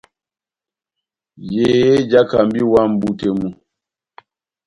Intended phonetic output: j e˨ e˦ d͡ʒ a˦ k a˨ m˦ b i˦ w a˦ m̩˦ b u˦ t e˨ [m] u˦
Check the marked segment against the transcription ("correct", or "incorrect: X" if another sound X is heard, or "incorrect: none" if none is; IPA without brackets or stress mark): correct